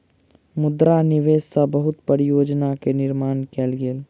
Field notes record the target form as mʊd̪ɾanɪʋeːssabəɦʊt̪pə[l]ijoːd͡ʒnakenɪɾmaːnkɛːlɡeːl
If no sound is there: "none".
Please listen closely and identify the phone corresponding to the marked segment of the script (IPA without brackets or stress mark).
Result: ɾ